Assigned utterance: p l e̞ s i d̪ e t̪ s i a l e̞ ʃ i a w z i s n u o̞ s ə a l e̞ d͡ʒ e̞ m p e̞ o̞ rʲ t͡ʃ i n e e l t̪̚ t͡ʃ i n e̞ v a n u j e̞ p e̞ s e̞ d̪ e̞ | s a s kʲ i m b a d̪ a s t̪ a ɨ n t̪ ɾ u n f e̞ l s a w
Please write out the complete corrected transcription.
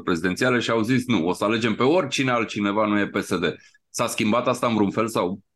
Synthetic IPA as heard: p ɾ e̞ z i d̪ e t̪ s i a l e̞ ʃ i a w z i s n u o̞ s ə a l e̞ d͡ʒ e̞ m p e̞ o̞ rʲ t͡ʃ i n e a l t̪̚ t͡ʃ i n e̞ v a n u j e̞ p e̞ s e̞ d̪ e̞ | s a s kʲ i m b a t̪ a s t̪ a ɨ n t̪ ɾ u n f e̞ l s a w